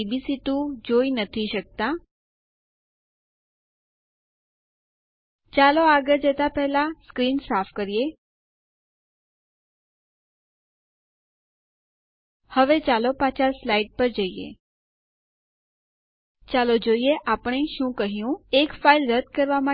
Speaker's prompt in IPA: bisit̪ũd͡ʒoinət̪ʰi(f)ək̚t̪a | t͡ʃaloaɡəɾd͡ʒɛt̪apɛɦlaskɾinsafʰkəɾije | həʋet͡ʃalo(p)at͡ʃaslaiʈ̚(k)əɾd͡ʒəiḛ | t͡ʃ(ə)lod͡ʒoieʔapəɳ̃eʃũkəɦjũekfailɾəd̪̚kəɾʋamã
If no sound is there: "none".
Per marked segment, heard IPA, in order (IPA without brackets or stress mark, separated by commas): ʃ, p, p, a